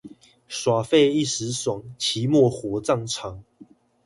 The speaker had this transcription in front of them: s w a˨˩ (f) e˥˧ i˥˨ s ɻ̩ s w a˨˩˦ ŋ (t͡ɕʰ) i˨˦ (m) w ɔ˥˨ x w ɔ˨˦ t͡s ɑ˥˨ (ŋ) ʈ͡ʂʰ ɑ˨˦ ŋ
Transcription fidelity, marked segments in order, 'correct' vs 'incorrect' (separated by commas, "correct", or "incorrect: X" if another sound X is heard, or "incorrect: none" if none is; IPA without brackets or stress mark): correct, correct, correct, correct